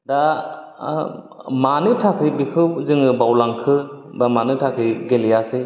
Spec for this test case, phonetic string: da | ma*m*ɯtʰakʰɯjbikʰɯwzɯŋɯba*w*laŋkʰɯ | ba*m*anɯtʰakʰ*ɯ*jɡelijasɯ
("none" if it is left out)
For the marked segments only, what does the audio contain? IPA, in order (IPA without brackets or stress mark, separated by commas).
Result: n, w, m, ɯ